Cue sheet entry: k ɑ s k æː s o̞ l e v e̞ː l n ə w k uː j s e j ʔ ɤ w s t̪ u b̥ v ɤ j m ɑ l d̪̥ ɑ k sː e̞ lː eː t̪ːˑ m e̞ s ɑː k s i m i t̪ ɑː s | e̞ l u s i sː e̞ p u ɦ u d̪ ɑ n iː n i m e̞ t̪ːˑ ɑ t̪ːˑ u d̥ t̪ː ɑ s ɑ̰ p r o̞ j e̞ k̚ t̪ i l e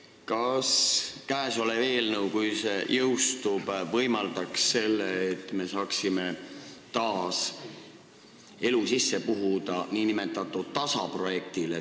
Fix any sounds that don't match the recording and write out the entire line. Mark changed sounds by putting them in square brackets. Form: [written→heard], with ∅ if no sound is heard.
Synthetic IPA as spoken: k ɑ s k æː s o̞ l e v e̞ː l n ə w k [uː→u] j s e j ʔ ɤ w s t̪ u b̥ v ɤ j m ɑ l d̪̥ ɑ k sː e̞ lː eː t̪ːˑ m e̞ s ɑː k s i m [i→e] t̪ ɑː s | e̞ l u s i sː e̞ p u ɦ u d̪ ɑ n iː n i m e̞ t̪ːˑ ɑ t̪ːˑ u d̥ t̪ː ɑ s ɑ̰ p r o̞ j e̞ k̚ t̪ i l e